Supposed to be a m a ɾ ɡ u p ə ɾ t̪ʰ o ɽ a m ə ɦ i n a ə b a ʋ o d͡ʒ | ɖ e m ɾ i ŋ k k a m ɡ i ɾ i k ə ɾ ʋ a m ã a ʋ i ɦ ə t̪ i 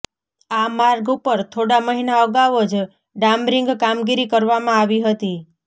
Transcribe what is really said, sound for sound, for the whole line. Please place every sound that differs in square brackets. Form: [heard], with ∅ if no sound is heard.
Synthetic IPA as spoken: a m a ɾ ɡ u p ə ɾ t̪ʰ o ɽ a m ə ɦ i n a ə [ɡ] a ʋ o d͡ʒ | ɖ [a] m ɾ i ŋ [ɡ] k a m ɡ i ɾ i k ə ɾ ʋ a m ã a ʋ i ɦ ə t̪ i